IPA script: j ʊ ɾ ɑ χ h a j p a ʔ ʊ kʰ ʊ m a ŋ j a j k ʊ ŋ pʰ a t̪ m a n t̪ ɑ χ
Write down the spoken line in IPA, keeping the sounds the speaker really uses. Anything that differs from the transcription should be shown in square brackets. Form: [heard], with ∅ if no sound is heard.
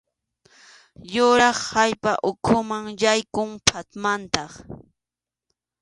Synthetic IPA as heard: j ʊ ɾ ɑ χ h a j p a ʔ ʊ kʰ ʊ m a ŋ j a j k ʊ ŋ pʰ a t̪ m a n t̪ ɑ χ